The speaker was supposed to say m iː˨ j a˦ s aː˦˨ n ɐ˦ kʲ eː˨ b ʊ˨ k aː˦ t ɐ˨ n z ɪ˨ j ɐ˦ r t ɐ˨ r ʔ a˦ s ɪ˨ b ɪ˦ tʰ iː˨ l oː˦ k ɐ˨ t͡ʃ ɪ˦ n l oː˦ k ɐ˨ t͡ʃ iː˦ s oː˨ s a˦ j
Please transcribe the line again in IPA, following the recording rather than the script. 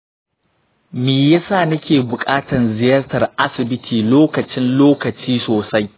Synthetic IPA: m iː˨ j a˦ s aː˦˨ n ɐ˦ kʲ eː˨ b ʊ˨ kʼ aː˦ t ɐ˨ n z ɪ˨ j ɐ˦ r t ɐ˨ r ʔ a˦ s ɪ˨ b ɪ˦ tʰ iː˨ l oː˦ k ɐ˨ t͡ʃ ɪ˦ n l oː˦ k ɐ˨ t͡ʃ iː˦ s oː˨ s a˦ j